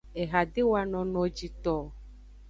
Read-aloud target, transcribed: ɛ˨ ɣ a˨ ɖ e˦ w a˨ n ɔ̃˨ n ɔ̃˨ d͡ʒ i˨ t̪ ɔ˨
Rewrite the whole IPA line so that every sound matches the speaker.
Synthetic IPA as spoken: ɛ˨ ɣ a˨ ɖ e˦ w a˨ n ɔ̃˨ n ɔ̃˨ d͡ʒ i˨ t̪ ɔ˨